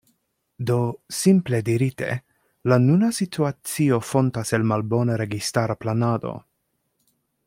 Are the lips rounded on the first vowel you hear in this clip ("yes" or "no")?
yes